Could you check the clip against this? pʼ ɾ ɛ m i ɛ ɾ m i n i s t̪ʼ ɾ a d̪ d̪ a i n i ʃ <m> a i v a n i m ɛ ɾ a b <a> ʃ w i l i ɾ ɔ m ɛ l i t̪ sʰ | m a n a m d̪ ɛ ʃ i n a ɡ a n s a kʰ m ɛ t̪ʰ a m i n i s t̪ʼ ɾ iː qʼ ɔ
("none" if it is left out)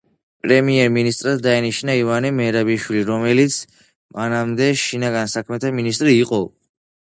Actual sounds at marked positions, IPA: n, i

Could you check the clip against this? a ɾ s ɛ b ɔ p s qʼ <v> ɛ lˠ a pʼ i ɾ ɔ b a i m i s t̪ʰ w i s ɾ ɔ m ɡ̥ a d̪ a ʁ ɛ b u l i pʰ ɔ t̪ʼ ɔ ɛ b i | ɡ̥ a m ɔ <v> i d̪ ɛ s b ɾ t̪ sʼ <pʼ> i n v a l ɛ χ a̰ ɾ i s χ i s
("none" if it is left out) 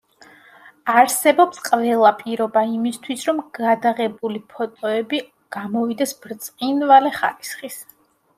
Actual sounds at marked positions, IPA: v, v, qʼ

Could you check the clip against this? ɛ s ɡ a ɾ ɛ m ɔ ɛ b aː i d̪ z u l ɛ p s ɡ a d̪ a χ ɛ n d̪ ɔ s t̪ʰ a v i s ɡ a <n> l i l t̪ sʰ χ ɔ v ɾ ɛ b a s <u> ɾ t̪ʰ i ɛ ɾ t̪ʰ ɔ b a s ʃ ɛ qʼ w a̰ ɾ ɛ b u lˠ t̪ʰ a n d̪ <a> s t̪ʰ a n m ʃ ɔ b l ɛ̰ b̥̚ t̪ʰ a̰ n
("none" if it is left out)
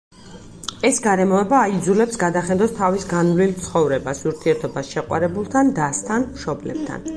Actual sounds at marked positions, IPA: n, u, a

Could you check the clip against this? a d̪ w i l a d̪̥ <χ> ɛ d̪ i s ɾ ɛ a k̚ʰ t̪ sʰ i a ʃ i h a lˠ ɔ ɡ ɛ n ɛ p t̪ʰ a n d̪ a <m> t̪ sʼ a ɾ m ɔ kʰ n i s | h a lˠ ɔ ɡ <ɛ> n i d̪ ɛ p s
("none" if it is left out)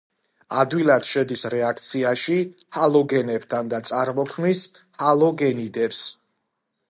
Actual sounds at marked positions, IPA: ʃ, none, ɛ

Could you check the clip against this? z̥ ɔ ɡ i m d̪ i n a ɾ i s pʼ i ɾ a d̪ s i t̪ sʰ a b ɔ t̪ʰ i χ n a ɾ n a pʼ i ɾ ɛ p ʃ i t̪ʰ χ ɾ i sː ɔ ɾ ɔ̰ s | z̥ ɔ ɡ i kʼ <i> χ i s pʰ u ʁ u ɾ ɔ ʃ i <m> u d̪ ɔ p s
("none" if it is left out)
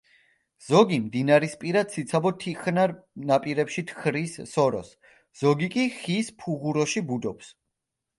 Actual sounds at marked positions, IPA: i, b

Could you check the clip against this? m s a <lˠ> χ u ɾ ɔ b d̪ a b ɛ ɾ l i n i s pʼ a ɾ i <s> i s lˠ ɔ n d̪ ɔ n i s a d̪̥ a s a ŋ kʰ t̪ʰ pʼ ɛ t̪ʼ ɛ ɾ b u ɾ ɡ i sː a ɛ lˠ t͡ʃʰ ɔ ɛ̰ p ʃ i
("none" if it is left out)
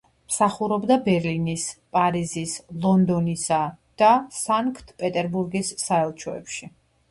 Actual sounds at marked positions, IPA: none, z

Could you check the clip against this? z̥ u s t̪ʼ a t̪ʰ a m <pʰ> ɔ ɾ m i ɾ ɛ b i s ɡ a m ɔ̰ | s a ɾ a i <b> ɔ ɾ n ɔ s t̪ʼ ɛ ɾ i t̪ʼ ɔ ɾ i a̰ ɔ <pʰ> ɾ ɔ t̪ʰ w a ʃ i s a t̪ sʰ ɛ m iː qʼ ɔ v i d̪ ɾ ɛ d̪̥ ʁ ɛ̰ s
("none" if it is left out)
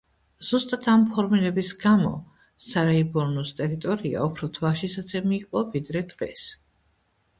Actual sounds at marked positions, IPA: pʰ, b, pʰ

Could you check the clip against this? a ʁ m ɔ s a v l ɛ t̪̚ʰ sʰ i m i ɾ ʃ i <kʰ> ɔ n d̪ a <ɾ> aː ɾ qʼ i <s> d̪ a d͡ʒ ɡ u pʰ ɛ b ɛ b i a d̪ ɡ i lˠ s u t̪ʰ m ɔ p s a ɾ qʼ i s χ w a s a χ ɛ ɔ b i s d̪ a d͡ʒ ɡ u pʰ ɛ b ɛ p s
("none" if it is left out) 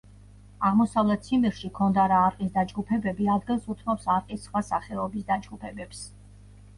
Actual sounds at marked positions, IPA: kʰ, ɾ, s

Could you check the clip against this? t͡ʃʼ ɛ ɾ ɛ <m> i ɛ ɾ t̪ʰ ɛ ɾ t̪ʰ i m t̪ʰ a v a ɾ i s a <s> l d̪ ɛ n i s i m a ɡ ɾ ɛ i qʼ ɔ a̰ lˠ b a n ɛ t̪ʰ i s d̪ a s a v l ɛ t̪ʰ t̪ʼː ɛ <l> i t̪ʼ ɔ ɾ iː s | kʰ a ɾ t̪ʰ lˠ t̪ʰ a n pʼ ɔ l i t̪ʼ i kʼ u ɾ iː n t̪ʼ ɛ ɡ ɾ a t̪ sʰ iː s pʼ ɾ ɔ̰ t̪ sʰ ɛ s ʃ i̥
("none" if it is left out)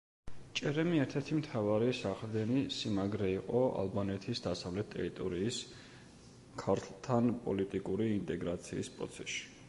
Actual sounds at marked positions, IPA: m, χ, ɾ

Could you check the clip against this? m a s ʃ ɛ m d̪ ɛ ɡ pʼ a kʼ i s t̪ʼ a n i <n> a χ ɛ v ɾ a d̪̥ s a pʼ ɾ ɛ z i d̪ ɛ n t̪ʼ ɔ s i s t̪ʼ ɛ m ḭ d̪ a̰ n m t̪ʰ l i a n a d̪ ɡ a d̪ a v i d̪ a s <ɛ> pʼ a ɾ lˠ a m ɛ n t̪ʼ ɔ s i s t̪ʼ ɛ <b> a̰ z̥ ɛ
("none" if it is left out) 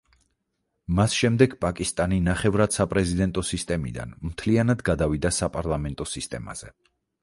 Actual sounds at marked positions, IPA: n, a, m

